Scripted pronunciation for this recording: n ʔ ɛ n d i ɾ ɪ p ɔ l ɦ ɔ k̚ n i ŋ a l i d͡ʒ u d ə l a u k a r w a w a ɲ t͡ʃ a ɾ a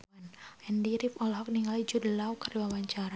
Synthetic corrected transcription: n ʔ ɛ n d i ɾ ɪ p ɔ l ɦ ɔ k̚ n i ŋ a l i d͡ʒ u d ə l a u k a r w a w a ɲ t͡ʃ a ɾ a

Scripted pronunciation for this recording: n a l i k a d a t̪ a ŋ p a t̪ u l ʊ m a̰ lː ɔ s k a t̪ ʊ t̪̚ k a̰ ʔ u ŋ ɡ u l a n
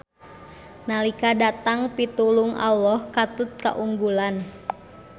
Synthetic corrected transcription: n a l i k a d a t̪ a ŋ p i t̪ u l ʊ ŋ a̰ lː ɔ h k a t̪ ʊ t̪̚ k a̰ ʔ u ŋ ɡ u l a n

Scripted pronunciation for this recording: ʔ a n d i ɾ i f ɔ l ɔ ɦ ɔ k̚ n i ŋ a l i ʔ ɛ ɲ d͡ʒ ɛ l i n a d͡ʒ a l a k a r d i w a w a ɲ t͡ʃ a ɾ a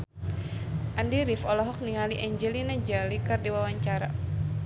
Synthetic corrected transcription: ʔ a n d i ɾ i f ɔ l ɔ ɦ ɔ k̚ n i ŋ a l i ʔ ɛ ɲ d͡ʒ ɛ l i n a d͡ʒ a l i k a r d i w a w a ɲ t͡ʃ a ɾ a

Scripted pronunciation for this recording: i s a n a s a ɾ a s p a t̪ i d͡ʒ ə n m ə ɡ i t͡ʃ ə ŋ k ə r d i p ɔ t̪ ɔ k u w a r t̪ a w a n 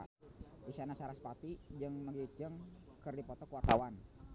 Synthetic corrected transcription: i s a n a s a ɾ a s p a t̪ i d͡ʒ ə ŋ m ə ɡ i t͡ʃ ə ŋ k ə r d i p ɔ t̪ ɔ k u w a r t̪ a w a n

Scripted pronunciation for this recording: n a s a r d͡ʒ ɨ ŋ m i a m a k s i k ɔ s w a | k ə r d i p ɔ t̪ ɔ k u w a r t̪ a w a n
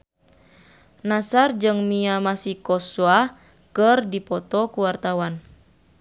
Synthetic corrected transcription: n a s a r d͡ʒ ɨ ŋ m i a m a s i k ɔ s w a | k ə r d i p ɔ t̪ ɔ k u w a r t̪ a w a n

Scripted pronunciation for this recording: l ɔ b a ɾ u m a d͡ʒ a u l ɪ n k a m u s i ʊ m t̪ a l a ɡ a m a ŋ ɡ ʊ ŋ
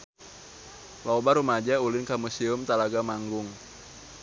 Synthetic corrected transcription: l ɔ b a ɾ u m a d͡ʒ a u l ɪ n k a m u s i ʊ m t̪ a l a ɡ a m a ŋ ɡ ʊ ŋ

